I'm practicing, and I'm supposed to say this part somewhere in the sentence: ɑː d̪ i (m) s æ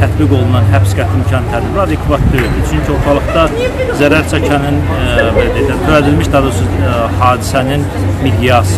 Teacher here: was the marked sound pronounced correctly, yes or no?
no